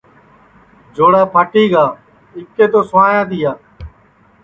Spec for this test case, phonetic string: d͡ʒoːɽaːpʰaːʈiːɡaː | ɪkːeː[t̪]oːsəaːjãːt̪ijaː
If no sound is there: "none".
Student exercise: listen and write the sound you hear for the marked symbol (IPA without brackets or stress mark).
t̪